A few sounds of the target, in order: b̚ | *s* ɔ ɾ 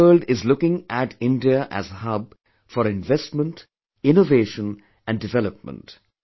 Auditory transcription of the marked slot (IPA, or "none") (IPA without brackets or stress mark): f